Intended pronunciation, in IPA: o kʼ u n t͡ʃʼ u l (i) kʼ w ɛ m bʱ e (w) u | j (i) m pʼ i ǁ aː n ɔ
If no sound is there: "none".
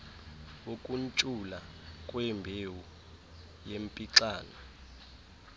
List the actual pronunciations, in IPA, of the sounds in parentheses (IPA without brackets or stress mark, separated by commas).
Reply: a, w, e